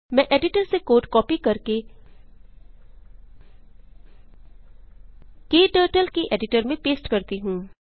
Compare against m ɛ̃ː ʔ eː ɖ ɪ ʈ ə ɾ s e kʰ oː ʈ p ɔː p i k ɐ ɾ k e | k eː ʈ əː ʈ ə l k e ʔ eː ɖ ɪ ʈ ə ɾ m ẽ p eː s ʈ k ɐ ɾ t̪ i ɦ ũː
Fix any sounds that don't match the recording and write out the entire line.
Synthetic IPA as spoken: m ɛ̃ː ʔ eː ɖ ɪ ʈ ə ɾ s e k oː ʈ k ɔː p i k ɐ ɾ k e | k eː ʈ əː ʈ ə l k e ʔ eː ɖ ɪ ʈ ə ɾ m ẽ p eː s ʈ k ɐ ɾ t̪ i ɦ ũː